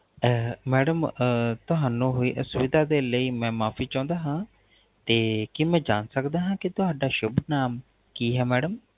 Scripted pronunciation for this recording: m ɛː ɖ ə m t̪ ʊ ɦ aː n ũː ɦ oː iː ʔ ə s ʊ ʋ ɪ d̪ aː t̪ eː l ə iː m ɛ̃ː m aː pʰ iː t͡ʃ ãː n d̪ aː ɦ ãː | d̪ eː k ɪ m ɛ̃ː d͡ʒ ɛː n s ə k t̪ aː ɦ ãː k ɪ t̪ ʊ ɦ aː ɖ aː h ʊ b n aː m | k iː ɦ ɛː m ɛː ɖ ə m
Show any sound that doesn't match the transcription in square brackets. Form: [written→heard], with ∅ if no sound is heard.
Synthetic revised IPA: m ɛː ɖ ə m t̪ ʊ ɦ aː n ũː ɦ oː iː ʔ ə s ʊ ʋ ɪ d̪ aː [t̪→d̪] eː l ə iː m ɛ̃ː m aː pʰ iː t͡ʃ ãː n d̪ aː ɦ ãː | [d̪→t̪] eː k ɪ m ɛ̃ː d͡ʒ [ɛː→aː] n s ə k [t̪→d̪] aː ɦ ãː k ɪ t̪ ʊ ɦ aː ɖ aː [h→ʃ] ʊ b n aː m | k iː ɦ ɛː m ɛː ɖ ə m